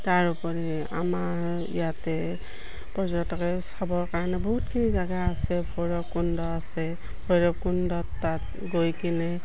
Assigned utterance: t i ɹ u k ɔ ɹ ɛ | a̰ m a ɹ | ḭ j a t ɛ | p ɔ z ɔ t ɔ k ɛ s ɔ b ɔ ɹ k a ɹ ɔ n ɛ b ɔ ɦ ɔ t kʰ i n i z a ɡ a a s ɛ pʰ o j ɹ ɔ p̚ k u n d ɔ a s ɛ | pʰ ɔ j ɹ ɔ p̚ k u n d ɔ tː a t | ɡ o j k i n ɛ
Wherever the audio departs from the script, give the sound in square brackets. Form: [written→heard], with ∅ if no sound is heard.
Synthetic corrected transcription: t [i→a] ɹ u [k→p] ɔ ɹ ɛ | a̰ m a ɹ | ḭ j a t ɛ | p ɔ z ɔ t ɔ k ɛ s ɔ b ɔ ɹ k a ɹ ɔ n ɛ b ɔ ɦ [ɔ→u] t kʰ i n i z a ɡ a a s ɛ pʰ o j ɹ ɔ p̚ k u n d ɔ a s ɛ | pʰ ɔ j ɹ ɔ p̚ k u n d ɔ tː a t | ɡ o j k i n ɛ

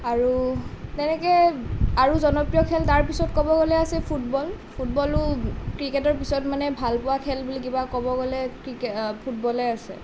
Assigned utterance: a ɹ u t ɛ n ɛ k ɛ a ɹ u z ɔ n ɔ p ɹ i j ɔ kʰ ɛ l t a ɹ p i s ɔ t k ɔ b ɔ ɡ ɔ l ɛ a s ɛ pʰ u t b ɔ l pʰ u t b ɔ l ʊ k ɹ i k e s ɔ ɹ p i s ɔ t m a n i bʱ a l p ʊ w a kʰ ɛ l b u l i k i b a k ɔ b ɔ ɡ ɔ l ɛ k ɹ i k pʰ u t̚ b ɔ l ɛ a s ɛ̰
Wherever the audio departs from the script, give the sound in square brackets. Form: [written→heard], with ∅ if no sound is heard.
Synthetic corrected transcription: a ɹ u t ɛ n ɛ k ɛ a ɹ u z ɔ n ɔ p ɹ i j ɔ kʰ ɛ l t a ɹ p i s ɔ t k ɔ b ɔ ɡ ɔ l ɛ a s ɛ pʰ u t b ɔ l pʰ u t b ɔ l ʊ k ɹ i k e [s→t] ɔ ɹ p i s ɔ t m a n [i→ɛ] bʱ a l p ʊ w a kʰ ɛ l b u l i k i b a k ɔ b ɔ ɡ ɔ l ɛ k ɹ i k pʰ u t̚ b ɔ l ɛ a s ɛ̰

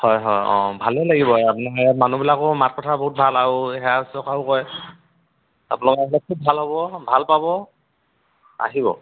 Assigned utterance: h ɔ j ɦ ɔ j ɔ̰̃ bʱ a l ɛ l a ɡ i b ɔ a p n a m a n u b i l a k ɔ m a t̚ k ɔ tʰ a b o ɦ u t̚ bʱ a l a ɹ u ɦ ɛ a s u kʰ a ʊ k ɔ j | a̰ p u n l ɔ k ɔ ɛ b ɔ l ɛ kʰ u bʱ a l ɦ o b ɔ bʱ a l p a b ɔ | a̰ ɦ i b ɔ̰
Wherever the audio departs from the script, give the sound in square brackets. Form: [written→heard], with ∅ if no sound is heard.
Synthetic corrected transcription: h ɔ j ɦ ɔ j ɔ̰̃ bʱ a l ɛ l a ɡ i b ɔ a p n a m a n u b i l a k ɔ m a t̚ k ɔ tʰ a b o ɦ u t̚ bʱ a l a ɹ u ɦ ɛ a s [u→ɔ] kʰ a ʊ k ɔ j | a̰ p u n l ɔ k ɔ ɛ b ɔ l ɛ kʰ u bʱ a l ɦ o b ɔ bʱ a l p a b ɔ | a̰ ɦ i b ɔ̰

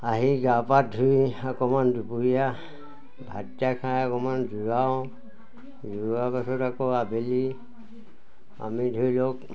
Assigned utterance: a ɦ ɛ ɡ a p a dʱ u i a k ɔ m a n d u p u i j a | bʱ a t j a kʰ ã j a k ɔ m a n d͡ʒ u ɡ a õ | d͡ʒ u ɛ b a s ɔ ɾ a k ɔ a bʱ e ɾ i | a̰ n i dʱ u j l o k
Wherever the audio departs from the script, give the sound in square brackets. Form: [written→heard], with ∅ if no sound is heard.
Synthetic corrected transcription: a ɦ [ɛ→i] ɡ a p a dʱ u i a k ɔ m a n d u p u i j a | bʱ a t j a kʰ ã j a k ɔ m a n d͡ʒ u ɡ a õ | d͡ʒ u [ɛ→a] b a s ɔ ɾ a k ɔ a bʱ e [ɾ→l] i | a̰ [n→m] i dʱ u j l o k

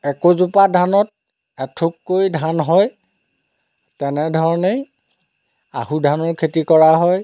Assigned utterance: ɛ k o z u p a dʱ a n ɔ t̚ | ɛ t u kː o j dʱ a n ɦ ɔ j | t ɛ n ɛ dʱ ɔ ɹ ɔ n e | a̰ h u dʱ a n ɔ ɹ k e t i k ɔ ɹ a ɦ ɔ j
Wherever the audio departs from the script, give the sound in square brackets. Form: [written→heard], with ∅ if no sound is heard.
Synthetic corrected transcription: ɛ k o z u p a dʱ a n ɔ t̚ | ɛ [t→tʰ] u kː o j dʱ a n ɦ ɔ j | t ɛ n ɛ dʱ ɔ ɹ ɔ n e | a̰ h u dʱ a n ɔ ɹ [k→kʰ] e t i k ɔ ɹ a ɦ ɔ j

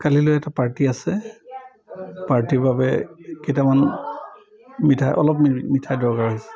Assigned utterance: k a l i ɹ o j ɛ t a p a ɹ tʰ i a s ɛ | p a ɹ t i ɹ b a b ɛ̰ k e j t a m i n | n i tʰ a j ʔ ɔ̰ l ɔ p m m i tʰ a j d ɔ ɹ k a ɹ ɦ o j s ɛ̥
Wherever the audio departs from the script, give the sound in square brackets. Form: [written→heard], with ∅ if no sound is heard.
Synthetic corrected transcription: k a l i [ɹ→l] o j ɛ t a p a ɹ [tʰ→t] i a s ɛ | p a ɹ t i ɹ b a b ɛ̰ k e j t a m [i→a] n | [n→m] i tʰ a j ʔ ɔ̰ l ɔ p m m i tʰ a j d ɔ ɹ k a ɹ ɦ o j s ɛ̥

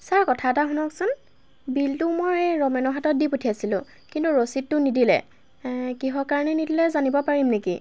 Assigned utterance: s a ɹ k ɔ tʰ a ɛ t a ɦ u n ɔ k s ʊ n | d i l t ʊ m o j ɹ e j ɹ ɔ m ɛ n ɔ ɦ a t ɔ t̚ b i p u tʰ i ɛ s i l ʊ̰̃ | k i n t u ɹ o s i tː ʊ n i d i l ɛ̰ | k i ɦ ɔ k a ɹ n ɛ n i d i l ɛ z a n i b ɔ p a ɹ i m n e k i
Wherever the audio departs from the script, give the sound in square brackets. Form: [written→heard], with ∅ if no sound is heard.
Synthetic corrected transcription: s a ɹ k ɔ tʰ a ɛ t a ɦ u n ɔ k s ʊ n | [d→b] i l t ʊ m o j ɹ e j ɹ ɔ m ɛ n ɔ ɦ a t ɔ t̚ [b→d] i p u tʰ i [ɛ→a] s i l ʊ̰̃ | k i n t u ɹ o s i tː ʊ n i d i l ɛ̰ | k i ɦ ɔ k a ɹ n ɛ n i d i l ɛ z a n i b ɔ p a ɹ i m n e k i

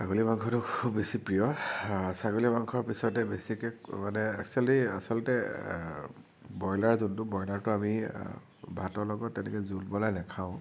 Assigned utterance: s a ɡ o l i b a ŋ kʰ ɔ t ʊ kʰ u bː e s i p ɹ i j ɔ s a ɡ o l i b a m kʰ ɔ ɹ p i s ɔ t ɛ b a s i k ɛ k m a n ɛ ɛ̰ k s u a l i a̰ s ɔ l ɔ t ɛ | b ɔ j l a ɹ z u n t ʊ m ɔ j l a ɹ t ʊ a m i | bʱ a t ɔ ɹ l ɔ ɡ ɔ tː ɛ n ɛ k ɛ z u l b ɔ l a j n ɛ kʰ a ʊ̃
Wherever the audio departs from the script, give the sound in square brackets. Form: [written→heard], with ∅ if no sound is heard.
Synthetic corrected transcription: s a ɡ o l i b a ŋ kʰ ɔ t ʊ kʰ u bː e s i p ɹ i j ɔ s a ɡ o l i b a [m→ŋ] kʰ ɔ ɹ p i s ɔ t ɛ b [a→e] s i k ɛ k m a n ɛ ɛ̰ k s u a l i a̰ s ɔ l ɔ t ɛ | b ɔ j l a ɹ z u n t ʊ [m→b] ɔ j l a ɹ t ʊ a m i | bʱ a t ɔ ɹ l ɔ ɡ ɔ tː ɛ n ɛ k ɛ z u l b ɔ l a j n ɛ kʰ a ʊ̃

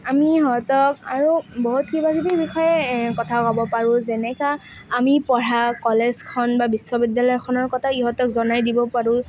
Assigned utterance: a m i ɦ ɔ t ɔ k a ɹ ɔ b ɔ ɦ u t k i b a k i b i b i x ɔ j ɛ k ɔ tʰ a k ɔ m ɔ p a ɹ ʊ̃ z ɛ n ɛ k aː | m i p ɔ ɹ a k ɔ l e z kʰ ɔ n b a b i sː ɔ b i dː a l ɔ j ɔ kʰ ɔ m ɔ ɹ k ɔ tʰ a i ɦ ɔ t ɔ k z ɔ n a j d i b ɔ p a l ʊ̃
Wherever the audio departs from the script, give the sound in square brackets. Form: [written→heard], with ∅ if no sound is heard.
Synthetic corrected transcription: a m i ɦ ɔ t ɔ k a ɹ [ɔ→u] b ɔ ɦ u t k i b a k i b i b i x ɔ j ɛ k ɔ tʰ a k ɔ [m→b] ɔ p a ɹ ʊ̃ z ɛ n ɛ k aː | m i p ɔ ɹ a k ɔ l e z kʰ ɔ n b a b i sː ɔ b i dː a l ɔ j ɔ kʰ ɔ [m→n] ɔ ɹ k ɔ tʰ a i ɦ ɔ t ɔ k z ɔ n a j d i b ɔ p a [l→ɹ] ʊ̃

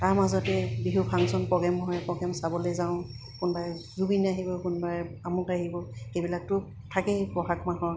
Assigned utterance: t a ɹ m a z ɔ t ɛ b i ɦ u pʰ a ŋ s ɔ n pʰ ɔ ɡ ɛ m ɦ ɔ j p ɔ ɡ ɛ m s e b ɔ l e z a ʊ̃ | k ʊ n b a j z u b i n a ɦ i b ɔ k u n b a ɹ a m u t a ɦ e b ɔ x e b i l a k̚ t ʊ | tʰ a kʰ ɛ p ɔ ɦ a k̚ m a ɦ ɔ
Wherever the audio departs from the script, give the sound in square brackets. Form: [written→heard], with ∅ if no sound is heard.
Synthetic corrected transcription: t a ɹ m a z ɔ t ɛ b i ɦ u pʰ a ŋ s ɔ n [pʰ→p] ɔ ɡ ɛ m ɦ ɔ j p ɔ ɡ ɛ m s [e→a] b ɔ l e z a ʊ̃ | k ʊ n b a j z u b i n a ɦ i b ɔ k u n b a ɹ a m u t a ɦ [e→i] b ɔ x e b i l a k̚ t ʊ | tʰ a [kʰ→k] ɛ p ɔ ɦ a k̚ m a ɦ ɔ

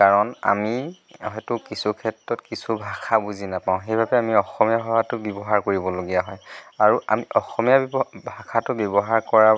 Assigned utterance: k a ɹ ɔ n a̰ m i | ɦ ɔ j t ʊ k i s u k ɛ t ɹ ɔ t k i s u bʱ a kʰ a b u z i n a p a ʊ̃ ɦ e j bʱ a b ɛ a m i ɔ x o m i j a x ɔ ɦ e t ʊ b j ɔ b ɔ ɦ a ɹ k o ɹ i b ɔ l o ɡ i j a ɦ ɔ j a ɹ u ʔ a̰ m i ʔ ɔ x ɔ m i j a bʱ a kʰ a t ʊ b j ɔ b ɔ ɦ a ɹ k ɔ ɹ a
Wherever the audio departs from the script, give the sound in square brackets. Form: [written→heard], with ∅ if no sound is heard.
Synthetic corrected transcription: k a ɹ ɔ n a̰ m i | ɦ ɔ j t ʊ k i s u [k→kʰ] ɛ t ɹ ɔ t k i s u bʱ a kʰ a b u z i n a p a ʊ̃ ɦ e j bʱ a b ɛ a m i ɔ x [o→ɔ] m i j a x ɔ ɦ [e→a] t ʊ b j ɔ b ɔ ɦ a ɹ k o ɹ i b ɔ l o ɡ i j a ɦ ɔ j a ɹ u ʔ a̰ m i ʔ ɔ x ɔ m i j a bʱ a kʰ a t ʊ b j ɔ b ɔ ɦ a ɹ k ɔ ɹ a

